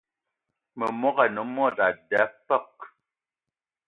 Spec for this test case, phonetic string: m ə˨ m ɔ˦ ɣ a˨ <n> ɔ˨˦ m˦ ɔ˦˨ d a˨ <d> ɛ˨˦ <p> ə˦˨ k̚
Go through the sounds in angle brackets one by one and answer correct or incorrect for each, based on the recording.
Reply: correct, correct, correct

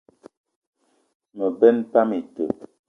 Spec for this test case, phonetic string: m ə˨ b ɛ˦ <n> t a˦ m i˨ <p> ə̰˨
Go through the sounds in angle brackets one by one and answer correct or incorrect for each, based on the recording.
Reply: correct, incorrect: t

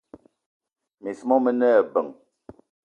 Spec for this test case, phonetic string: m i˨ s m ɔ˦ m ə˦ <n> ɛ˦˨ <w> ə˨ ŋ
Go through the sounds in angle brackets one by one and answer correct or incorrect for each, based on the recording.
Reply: correct, incorrect: b

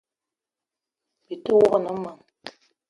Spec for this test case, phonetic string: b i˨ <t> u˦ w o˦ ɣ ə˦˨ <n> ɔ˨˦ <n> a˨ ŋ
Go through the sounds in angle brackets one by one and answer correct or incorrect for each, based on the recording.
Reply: correct, correct, incorrect: m

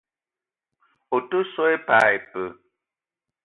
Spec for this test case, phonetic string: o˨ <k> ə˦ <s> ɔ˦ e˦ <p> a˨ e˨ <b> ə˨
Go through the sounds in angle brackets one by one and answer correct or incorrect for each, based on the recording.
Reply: incorrect: t, correct, correct, incorrect: p

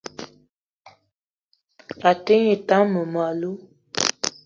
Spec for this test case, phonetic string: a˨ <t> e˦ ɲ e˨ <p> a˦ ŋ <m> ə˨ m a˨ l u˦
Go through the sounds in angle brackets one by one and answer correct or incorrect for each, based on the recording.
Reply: correct, incorrect: t, correct

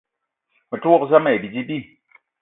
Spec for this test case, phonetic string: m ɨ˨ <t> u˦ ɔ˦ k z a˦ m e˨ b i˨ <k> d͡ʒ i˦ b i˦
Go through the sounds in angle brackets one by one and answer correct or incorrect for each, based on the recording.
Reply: correct, incorrect: none

